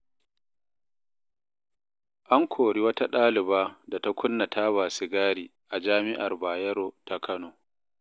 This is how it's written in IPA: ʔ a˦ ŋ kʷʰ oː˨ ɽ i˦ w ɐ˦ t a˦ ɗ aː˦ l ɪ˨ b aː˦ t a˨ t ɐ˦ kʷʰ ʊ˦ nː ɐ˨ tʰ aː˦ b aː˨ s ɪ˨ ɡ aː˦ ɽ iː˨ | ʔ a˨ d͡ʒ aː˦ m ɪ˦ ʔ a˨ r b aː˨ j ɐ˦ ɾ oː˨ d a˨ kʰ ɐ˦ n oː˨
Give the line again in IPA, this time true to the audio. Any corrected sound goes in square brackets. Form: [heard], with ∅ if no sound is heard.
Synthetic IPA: ʔ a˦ ŋ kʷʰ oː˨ ɽ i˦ w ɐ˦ t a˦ ɗ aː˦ l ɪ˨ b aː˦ [d] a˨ t [a˦] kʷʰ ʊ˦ nː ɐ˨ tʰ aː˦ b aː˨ s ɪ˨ ɡ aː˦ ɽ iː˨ | ʔ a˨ d͡ʒ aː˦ m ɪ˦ ʔ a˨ r b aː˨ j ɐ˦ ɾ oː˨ [t] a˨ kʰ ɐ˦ n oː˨